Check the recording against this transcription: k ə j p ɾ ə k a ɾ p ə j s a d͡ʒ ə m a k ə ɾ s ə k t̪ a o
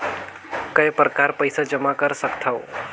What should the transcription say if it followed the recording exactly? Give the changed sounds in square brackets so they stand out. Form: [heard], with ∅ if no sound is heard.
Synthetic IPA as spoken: k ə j p ɾ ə k a ɾ p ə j s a d͡ʒ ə m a k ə ɾ s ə k [t̪ʰ] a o